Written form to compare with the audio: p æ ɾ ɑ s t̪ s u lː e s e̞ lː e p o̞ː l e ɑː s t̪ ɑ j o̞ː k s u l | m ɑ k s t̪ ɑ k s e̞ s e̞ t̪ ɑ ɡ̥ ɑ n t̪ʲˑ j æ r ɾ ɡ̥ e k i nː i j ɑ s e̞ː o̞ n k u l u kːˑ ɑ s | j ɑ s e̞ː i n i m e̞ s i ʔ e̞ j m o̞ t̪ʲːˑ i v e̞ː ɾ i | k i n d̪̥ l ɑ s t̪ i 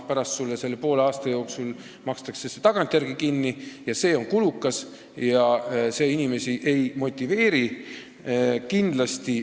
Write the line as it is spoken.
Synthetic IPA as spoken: p æ ɾ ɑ s t̪ s u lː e s e̞ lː e p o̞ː l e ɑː s t̪ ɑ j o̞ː k s u l | m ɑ k s t̪ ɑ k s e̞ s e̞ t̪ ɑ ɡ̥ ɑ n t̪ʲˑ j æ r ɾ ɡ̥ i k i nː i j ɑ s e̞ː o̞ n k u l u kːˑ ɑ s | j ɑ s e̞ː i n i m e̞ s i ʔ e̞ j m o̞ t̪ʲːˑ i v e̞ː ɾ i | k i n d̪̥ l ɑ s t̪ i